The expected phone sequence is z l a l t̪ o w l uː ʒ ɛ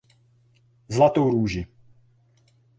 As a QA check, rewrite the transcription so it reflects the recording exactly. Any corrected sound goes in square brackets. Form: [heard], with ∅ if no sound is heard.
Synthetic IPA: z l a [∅] t̪ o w [ɾ] uː ʒ [i]

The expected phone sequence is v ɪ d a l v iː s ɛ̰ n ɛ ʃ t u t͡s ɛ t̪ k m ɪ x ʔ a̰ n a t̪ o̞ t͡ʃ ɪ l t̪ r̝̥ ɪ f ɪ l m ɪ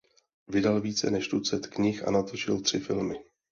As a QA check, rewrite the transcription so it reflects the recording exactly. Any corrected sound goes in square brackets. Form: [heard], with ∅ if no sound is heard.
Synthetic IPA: v ɪ d a l v iː [t͡s] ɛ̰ n ɛ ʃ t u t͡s ɛ t̪ k [ɲ] ɪ x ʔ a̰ n a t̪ o̞ t͡ʃ ɪ l t̪ r̝̥ ɪ f ɪ l m ɪ

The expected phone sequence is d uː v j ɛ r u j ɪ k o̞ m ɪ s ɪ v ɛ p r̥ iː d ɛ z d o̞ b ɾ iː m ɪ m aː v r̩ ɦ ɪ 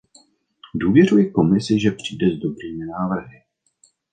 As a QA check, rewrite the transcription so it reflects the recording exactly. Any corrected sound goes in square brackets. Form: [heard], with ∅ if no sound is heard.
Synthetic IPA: d uː v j ɛ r u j ɪ k o̞ m ɪ s ɪ [ʒ] ɛ p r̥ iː d ɛ z d o̞ b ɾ iː m ɪ [n] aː v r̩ ɦ ɪ

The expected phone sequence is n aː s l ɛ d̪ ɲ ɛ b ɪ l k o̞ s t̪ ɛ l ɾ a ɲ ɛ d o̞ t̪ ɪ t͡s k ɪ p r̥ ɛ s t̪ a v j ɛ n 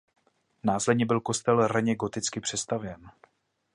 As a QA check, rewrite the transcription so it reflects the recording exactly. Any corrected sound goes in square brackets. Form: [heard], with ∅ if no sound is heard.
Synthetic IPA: n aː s l ɛ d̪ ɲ ɛ b ɪ l k o̞ s t̪ ɛ l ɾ a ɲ ɛ [ɡ] o̞ t̪ ɪ t͡s k ɪ p r̥ ɛ s t̪ a v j ɛ n

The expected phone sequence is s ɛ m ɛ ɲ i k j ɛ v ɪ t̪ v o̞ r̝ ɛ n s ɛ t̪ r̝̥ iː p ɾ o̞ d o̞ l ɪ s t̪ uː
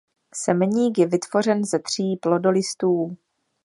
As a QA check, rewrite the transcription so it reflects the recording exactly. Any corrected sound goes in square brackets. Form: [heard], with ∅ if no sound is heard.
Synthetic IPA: s ɛ m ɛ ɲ [iː] k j ɛ v ɪ t̪ v o̞ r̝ ɛ n [z] ɛ t̪ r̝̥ iː p [l] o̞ d o̞ l ɪ s t̪ uː

